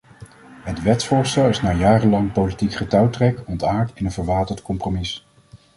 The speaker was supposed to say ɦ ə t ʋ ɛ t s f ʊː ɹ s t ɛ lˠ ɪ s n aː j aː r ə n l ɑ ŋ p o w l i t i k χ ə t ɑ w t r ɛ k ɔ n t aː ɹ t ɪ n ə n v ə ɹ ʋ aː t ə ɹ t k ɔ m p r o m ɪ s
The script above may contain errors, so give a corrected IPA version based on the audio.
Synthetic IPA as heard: ɦ ə t ʋ ɛ t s f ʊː ɹ s t ɛ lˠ ɪ s n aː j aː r ə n l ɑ ŋ p o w l i t i k χ ə t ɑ w t r ɛ k ɔ n t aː ɹ t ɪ n ə n v ə ɹ ʋ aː t ə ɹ t k ɔ m p r o m ɪ s